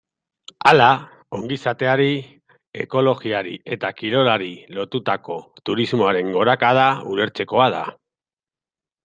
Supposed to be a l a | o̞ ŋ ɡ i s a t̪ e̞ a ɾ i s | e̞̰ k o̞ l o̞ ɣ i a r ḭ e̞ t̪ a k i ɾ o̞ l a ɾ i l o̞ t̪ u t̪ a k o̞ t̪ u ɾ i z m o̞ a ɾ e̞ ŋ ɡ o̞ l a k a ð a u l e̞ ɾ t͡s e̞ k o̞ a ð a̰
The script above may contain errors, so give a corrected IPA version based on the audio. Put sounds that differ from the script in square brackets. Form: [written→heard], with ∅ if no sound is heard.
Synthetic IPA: a l a | o̞ ŋ ɡ i s a t̪ e̞ a ɾ i [s→∅] | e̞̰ k o̞ l o̞ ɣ i a [r→ɾ] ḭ e̞ t̪ a k i ɾ o̞ l a ɾ i l o̞ t̪ u t̪ a k o̞ t̪ u ɾ i z m o̞ a ɾ e̞ ŋ ɡ o̞ [l→ɾ] a k a ð a u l e̞ ɾ t͡s e̞ k o̞ a ð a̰